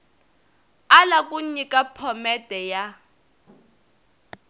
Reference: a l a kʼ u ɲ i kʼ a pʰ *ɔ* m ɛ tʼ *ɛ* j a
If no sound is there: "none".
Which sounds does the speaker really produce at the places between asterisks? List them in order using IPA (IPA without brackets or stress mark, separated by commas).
ɔ, ɛ